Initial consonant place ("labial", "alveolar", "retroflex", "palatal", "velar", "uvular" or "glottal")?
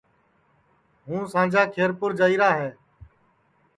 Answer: glottal